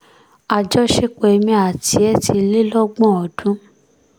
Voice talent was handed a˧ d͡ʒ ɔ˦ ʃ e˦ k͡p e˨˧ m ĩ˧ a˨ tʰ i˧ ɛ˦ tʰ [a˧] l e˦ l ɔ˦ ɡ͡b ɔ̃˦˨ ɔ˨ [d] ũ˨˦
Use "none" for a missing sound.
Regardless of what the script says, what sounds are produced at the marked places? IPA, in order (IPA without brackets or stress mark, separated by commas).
i˧, d